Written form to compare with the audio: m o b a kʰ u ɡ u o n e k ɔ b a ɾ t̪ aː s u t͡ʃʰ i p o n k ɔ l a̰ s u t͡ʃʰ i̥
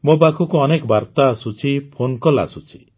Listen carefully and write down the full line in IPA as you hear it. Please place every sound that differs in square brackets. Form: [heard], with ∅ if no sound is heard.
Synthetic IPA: m o b a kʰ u [k] u [ɔ] n e k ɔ b a ɾ t̪ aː s u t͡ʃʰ i [pʰ] o n k ɔ l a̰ s u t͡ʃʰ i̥

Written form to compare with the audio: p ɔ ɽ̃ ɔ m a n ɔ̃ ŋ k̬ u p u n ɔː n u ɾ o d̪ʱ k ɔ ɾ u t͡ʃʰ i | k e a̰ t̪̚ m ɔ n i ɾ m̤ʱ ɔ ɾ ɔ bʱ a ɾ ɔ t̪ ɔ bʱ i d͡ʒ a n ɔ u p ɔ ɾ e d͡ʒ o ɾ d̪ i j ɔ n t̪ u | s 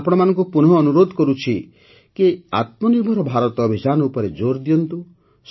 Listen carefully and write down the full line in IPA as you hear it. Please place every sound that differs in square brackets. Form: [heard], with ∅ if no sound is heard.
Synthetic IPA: p ɔ ɽ̃ ɔ m a n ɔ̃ ŋ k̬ u p u n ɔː n u ɾ o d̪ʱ k ɔ ɾ u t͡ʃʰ i | k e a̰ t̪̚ m ɔ n i ɾ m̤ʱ ɔ ɾ ɔ bʱ a ɾ ɔ t̪ ɔ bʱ i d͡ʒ a n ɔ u p ɔ ɾ e d͡ʒ o ɾ d̪ i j ɔ n t̪ u | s

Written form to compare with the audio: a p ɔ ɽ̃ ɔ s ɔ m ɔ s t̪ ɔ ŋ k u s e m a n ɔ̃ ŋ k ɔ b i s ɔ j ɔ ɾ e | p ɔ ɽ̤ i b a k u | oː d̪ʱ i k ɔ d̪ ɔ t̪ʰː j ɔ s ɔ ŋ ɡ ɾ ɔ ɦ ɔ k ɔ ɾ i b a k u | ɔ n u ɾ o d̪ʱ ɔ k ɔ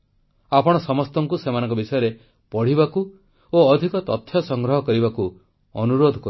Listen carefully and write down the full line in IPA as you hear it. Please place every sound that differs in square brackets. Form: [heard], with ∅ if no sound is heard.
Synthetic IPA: a p ɔ ɽ̃ ɔ s ɔ m ɔ s t̪ ɔ ŋ k u s e m a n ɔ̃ ŋ k ɔ b i s ɔ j ɔ ɾ e | p ɔ ɽ̤ i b a k u | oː d̪ʱ i k ɔ [t̪] ɔ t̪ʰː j ɔ s ɔ ŋ ɡ ɾ ɔ ɦ ɔ k ɔ ɾ i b a k u | ɔ n u ɾ o d̪ʱ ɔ k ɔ

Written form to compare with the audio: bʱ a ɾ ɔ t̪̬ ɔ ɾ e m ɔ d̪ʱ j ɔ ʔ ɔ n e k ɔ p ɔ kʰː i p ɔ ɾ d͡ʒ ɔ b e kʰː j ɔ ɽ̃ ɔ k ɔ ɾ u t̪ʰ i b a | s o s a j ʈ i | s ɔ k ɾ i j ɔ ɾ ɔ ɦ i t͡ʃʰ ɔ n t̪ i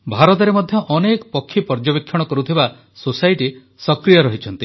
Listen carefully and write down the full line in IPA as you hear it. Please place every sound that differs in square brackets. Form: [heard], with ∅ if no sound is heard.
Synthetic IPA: bʱ a ɾ ɔ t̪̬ ɔ ɾ e m ɔ d̪ʱ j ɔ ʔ ɔ n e k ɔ p ɔ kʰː i p ɔ ɾ d͡ʒ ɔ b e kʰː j ɔ ɽ̃ ɔ k ɔ ɾ u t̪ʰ i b a | s o s a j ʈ i | s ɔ k ɾ i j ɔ ɾ ɔ ɦ i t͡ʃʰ ɔ n t̪ i

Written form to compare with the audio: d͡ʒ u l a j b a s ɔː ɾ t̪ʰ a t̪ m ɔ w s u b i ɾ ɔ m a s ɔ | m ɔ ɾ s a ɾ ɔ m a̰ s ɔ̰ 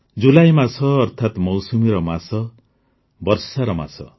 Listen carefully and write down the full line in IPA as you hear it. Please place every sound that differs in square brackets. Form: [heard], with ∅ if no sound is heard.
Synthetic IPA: d͡ʒ u l a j [m] a s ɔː ɾ t̪ʰ a t̪ m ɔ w s u [m] i ɾ ɔ m a s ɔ | [b] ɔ ɾ s a ɾ ɔ m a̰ s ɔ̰

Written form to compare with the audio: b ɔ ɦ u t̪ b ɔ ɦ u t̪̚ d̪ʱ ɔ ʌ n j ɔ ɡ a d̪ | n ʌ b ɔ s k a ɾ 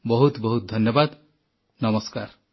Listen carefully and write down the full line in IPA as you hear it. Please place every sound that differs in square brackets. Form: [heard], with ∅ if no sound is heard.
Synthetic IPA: b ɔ ɦ u t̪ b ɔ ɦ u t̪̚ d̪ʱ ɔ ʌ n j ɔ [b] a d̪ | n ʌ [m] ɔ s k a ɾ

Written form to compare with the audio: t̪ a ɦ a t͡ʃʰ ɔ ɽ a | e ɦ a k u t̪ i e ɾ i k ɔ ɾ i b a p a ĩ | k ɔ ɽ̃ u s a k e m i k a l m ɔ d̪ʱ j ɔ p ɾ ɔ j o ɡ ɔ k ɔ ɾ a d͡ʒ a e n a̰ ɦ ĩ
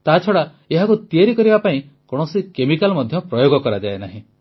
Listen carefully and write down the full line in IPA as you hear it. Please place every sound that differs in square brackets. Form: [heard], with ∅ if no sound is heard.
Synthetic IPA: t̪ a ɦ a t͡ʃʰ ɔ ɽ a | e ɦ a k u t̪ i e ɾ i k ɔ ɾ i b a p a ĩ | k ɔ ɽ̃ [ɔ] s [i] k e m i k a l m ɔ d̪ʱ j ɔ p ɾ ɔ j o ɡ ɔ k ɔ ɾ a d͡ʒ a e n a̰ ɦ ĩ

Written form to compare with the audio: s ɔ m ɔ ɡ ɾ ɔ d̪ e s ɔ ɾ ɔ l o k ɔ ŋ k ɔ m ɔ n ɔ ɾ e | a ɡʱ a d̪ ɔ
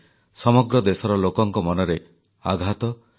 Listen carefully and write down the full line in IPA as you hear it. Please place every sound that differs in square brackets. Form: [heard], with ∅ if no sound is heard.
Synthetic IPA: s ɔ m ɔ ɡ ɾ ɔ d̪ e s ɔ ɾ ɔ l o k ɔ ŋ k ɔ m ɔ n ɔ ɾ e | a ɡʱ a [t̪] ɔ

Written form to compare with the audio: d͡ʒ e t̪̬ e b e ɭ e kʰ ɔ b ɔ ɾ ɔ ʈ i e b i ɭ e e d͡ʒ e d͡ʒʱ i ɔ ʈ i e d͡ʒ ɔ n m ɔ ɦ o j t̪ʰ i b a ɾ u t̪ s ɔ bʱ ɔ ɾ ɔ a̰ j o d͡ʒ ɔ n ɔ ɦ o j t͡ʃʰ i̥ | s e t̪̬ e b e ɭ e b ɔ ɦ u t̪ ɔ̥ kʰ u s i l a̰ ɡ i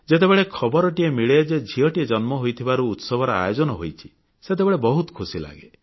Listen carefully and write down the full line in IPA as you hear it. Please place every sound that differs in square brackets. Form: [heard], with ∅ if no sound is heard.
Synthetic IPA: d͡ʒ e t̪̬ e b e ɭ e kʰ ɔ b ɔ ɾ ɔ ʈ i e [m] i ɭ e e d͡ʒ e d͡ʒʱ i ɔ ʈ i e d͡ʒ ɔ n m ɔ ɦ o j t̪ʰ i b a ɾ [uː] t̪ s ɔ bʱ ɔ ɾ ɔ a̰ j o d͡ʒ ɔ n ɔ ɦ o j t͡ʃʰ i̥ | s e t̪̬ e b e ɭ e b ɔ ɦ u t̪ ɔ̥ kʰ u s i l a̰ ɡ [e]

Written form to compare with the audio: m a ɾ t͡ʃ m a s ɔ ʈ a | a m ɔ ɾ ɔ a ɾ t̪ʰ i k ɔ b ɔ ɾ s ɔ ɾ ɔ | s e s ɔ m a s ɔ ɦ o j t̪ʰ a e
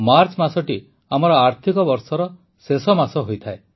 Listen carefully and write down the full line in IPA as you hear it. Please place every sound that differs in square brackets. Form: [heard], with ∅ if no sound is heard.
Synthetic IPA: m a ɾ t͡ʃ m a s ɔ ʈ [i] | a m ɔ ɾ ɔ a ɾ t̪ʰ i k ɔ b ɔ ɾ s ɔ ɾ ɔ | s e s ɔ m a s ɔ ɦ o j t̪ʰ a e

